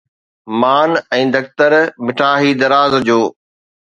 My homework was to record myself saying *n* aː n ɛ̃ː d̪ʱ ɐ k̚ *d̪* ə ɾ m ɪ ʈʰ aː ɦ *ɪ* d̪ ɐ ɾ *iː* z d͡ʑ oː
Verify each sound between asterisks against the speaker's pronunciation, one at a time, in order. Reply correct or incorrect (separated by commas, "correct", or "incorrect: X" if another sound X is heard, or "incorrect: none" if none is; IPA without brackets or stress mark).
incorrect: m, incorrect: t̪, incorrect: i, incorrect: aː